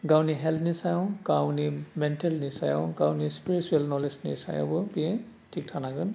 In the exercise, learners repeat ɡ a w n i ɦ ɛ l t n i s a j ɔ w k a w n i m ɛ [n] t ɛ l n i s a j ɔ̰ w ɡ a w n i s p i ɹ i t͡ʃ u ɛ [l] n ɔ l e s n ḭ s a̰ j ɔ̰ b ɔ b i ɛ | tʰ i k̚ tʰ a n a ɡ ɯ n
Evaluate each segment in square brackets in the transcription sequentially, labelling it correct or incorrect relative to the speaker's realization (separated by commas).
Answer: correct, correct